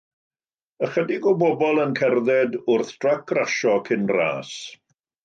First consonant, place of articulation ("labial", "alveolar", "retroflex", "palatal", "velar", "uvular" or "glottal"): uvular